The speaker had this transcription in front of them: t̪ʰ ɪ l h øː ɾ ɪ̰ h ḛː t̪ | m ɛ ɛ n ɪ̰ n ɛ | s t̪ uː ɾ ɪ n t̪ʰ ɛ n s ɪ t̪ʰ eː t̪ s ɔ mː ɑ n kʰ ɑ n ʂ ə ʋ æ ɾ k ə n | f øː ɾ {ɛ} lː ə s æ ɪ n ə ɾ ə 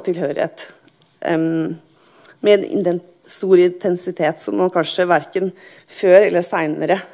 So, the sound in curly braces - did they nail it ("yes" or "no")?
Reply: yes